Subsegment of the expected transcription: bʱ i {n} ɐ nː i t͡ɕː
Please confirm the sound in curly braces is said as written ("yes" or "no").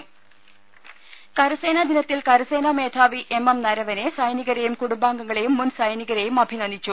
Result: yes